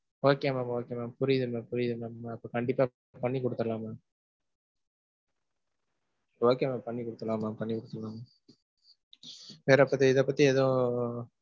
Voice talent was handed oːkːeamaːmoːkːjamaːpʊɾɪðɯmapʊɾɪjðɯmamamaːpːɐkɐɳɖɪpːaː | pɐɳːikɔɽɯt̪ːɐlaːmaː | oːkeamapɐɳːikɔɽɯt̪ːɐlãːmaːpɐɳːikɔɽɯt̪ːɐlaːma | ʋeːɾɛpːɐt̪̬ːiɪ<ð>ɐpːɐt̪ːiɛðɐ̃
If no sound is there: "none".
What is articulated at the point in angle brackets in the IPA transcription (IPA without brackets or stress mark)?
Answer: ð